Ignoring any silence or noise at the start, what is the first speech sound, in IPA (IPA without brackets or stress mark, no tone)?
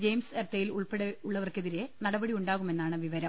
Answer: d͡ʑ